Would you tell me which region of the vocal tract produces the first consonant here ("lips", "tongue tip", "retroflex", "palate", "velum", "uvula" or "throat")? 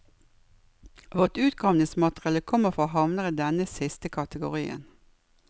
lips